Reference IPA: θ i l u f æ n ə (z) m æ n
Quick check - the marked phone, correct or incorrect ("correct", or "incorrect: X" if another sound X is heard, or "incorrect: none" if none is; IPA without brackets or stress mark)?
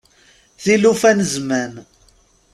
correct